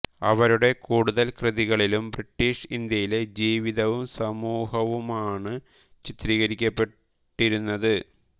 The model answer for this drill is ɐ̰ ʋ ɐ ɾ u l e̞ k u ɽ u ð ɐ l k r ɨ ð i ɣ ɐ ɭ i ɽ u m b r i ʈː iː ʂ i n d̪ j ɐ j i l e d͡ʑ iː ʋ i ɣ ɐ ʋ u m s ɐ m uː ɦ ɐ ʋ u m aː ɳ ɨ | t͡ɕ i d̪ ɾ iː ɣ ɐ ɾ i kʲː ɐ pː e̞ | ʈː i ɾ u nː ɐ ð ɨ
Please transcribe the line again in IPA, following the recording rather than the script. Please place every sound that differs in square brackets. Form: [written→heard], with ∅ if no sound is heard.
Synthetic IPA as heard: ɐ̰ ʋ ɐ ɾ u [l→ɽ] e̞ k [u→uː] ɽ u ð ɐ l k r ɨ ð i ɣ ɐ ɭ i [ɽ→l] u m b r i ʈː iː ʂ i n d̪ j ɐ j i l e d͡ʑ iː ʋ i [ɣ→ð] ɐ ʋ u m s ɐ m uː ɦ ɐ ʋ u m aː ɳ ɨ | t͡ɕ i [d̪→t̪] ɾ iː ɣ ɐ ɾ i kʲː ɐ pː e̞ | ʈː i ɾ u nː ɐ ð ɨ